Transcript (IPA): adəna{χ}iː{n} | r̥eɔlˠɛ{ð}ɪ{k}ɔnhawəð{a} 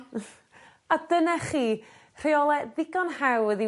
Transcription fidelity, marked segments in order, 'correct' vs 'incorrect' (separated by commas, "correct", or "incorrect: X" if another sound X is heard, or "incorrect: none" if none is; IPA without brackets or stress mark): correct, incorrect: none, correct, incorrect: ɡ, incorrect: i